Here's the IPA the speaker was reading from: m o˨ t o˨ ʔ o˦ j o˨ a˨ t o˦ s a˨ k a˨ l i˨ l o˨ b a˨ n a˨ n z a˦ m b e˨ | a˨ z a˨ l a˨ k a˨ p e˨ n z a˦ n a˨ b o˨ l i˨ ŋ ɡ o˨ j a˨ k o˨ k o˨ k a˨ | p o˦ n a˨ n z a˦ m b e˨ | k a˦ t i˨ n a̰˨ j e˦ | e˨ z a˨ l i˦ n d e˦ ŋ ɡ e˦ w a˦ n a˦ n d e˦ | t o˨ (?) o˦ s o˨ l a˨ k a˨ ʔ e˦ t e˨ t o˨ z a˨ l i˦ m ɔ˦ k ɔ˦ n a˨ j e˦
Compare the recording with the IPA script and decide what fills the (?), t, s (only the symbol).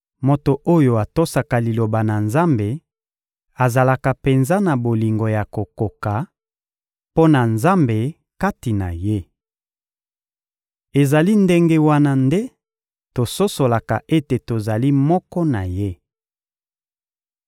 s